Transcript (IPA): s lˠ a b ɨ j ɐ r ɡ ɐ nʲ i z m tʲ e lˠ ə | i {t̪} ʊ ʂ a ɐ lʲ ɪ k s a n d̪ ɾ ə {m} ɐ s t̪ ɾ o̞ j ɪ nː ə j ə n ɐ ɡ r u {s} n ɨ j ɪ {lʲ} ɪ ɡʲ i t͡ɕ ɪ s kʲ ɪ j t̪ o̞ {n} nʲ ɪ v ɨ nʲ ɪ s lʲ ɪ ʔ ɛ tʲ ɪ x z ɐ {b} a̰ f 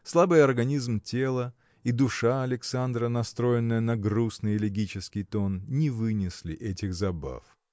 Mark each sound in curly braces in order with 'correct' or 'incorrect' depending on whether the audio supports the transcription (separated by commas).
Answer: incorrect, incorrect, correct, correct, correct, correct